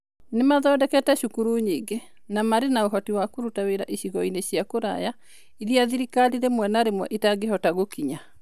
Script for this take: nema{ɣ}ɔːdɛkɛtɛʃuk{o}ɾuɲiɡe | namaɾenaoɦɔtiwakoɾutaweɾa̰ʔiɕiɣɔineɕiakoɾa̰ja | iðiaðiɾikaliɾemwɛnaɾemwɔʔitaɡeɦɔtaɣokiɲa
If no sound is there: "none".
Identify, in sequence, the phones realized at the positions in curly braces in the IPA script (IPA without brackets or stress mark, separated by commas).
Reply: ð, u